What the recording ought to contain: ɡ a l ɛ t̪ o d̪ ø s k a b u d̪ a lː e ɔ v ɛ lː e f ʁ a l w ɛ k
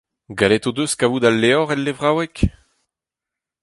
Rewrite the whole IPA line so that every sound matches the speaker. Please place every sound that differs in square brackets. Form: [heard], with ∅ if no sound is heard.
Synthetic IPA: ɡ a l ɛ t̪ o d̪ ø s k a [v] u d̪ a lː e ɔ [ʁ] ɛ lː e [v] ʁ a [∅] w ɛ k